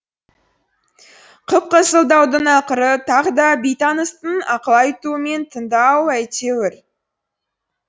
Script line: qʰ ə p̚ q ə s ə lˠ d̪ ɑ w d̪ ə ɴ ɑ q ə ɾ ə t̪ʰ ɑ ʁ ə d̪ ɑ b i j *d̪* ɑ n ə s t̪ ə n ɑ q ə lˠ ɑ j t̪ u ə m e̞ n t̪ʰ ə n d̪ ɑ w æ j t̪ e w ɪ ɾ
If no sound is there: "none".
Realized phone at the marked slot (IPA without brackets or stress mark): t̪